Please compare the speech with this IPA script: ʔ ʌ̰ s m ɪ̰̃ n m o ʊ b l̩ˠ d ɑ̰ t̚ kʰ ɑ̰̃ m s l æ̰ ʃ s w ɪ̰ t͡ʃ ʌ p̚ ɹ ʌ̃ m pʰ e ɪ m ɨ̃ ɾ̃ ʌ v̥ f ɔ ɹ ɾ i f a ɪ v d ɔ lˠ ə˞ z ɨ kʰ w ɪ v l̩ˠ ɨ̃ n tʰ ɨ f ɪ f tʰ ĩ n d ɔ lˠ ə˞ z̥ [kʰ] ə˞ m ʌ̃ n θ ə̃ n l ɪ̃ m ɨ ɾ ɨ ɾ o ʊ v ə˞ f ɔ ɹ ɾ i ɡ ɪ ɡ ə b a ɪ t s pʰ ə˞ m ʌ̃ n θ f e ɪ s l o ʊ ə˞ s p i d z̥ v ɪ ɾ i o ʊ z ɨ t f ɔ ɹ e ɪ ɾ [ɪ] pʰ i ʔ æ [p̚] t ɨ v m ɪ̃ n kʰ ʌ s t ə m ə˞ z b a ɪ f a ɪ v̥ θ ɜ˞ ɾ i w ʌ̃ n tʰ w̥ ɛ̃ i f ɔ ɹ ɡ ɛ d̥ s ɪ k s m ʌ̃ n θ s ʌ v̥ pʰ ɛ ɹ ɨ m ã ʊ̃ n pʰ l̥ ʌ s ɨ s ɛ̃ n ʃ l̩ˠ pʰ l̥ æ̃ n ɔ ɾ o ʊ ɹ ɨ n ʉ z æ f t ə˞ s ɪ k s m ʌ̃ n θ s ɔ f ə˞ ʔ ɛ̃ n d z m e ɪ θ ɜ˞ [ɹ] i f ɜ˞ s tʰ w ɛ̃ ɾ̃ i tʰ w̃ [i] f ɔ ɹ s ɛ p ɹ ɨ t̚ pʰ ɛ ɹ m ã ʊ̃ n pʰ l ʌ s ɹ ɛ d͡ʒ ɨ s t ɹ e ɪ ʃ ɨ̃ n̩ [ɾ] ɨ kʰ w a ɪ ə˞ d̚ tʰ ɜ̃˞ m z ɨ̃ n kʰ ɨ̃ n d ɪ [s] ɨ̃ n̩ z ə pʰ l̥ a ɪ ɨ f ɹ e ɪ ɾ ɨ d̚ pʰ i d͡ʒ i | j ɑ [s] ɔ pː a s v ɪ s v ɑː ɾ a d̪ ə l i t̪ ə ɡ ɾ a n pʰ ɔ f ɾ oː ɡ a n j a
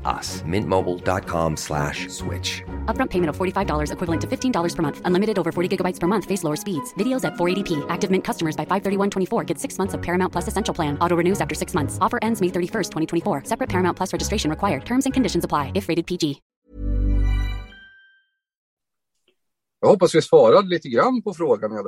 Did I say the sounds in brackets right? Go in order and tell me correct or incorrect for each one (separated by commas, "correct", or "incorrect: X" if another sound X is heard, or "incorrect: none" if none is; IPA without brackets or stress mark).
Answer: incorrect: pʰ, incorrect: i, incorrect: k̚, incorrect: ɾ, correct, incorrect: ɹ, incorrect: ʃ, incorrect: h